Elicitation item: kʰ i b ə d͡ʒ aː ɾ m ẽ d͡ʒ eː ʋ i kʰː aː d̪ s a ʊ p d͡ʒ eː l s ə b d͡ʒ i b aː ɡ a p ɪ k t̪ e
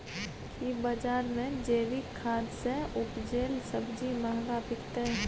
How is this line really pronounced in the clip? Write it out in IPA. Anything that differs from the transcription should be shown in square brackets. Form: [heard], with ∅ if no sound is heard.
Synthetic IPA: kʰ i b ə d͡ʒ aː ɾ m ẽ d͡ʒ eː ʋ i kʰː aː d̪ s [e] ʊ p d͡ʒ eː l s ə b d͡ʒ i [m] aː ɡ a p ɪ k t̪ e